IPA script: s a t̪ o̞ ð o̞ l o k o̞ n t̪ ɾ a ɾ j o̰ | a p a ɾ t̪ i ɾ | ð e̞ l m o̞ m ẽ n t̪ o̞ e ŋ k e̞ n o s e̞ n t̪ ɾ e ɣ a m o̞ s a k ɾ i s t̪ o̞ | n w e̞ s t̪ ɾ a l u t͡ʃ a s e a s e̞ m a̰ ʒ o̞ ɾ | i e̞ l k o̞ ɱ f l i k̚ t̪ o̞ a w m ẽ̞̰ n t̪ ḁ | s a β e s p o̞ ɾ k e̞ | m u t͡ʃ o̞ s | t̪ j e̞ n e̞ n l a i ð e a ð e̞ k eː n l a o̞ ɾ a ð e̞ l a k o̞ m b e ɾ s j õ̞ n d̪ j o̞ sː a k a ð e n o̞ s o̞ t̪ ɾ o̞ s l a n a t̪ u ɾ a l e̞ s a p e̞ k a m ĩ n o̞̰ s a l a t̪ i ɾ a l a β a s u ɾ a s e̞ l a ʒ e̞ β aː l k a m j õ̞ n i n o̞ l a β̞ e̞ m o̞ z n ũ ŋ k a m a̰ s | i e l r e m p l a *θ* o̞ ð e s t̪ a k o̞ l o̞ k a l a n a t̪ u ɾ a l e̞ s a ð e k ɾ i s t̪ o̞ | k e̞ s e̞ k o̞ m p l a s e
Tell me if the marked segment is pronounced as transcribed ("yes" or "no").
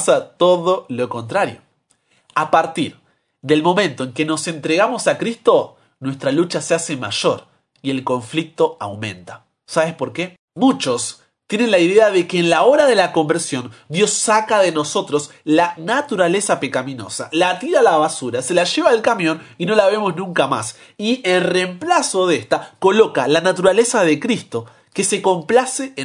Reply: no